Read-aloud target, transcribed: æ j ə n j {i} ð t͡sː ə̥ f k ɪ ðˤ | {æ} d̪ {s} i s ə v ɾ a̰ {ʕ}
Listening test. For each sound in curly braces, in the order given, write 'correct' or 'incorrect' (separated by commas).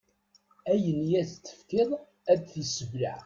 incorrect, correct, incorrect, correct